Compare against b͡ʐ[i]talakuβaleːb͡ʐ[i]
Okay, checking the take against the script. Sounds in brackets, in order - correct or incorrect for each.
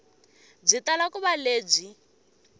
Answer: correct, correct

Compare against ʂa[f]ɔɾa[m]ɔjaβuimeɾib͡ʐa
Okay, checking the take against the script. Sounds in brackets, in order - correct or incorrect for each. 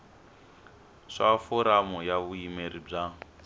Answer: correct, correct

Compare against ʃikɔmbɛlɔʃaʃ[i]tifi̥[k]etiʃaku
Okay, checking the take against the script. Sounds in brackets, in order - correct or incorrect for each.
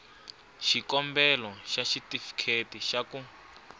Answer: correct, incorrect: kʰ

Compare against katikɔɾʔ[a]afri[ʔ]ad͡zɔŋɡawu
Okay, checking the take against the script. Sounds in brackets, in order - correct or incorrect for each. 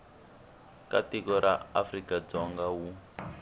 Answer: correct, incorrect: k

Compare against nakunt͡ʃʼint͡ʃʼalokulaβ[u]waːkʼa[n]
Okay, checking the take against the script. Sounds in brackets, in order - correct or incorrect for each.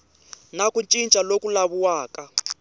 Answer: correct, incorrect: none

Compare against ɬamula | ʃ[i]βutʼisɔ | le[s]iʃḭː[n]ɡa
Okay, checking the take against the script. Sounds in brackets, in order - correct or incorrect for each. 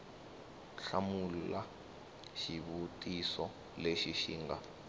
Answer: correct, incorrect: ʃ, incorrect: ŋ

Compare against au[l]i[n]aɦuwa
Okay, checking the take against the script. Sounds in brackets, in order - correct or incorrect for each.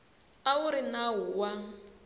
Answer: incorrect: ɾ, correct

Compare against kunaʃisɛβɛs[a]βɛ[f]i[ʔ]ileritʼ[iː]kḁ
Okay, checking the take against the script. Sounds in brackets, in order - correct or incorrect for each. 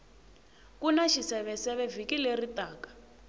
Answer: incorrect: ɛ, incorrect: v, incorrect: k, incorrect: aː

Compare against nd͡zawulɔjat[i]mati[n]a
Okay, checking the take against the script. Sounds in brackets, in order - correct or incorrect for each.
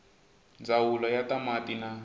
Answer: incorrect: a, correct

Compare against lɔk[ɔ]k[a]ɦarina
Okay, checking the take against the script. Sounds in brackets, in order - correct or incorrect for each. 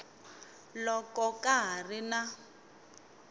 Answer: correct, correct

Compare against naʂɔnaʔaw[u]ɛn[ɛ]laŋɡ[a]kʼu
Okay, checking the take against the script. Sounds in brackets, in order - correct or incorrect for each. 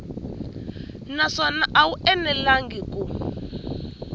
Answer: correct, correct, incorrect: i

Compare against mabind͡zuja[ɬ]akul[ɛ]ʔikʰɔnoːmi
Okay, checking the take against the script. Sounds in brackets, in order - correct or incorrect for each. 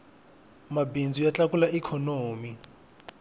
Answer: incorrect: t͡ɬ, incorrect: a

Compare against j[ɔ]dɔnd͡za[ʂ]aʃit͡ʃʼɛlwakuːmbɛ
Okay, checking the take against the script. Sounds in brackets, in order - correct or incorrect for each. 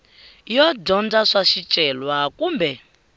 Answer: correct, correct

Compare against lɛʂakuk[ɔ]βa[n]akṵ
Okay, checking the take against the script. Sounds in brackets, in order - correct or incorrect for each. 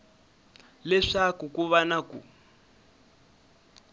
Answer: incorrect: u, correct

